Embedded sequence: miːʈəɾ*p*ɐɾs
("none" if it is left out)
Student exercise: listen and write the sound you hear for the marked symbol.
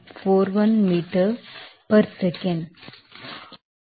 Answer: p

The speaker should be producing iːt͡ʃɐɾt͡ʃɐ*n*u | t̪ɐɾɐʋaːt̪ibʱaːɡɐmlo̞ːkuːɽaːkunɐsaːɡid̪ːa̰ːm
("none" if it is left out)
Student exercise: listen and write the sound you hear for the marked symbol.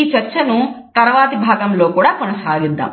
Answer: n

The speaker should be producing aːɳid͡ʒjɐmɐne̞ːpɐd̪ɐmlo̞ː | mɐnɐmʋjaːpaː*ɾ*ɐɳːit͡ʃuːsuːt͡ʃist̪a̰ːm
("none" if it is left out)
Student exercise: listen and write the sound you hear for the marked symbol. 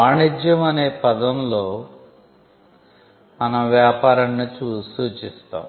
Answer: ɾ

